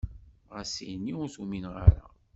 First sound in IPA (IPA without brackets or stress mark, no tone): ʁ